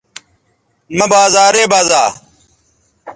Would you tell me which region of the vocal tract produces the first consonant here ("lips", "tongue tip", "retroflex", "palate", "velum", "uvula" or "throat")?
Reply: lips